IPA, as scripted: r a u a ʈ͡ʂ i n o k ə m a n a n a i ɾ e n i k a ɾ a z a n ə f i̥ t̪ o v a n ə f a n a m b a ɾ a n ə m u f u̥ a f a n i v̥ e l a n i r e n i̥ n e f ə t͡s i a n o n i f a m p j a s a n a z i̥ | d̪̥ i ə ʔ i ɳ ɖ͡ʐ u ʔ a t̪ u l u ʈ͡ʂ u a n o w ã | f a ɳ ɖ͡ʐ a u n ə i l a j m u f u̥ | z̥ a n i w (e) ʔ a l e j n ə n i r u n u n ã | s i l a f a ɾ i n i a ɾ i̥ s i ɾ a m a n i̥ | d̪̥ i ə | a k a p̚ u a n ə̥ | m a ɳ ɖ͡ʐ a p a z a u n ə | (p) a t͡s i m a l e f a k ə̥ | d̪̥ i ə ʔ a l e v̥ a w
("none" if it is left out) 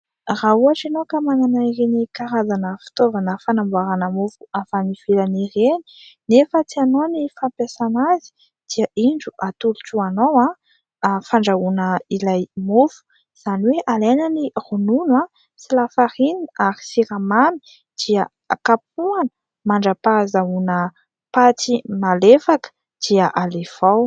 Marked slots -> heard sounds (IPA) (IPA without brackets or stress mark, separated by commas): e, p